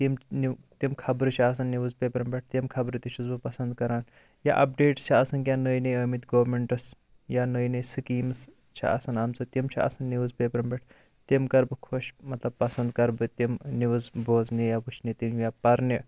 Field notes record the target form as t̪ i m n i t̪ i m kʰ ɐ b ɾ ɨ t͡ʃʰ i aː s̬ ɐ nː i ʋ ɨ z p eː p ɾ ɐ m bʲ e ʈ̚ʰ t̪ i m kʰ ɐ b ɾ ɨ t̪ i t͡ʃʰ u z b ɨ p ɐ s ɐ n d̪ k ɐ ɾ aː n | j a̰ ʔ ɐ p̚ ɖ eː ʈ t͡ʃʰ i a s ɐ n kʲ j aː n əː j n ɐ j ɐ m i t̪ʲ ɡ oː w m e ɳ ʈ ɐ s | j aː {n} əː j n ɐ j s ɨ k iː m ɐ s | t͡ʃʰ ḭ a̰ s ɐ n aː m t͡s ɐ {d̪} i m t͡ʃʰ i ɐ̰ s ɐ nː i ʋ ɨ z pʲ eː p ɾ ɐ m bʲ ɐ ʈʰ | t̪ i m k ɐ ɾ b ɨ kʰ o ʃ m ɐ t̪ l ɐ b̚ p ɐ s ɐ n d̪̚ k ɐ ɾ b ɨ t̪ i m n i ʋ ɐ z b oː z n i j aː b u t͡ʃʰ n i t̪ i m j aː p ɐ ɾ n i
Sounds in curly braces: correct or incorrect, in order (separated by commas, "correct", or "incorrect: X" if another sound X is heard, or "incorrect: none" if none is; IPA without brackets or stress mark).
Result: correct, incorrect: t̪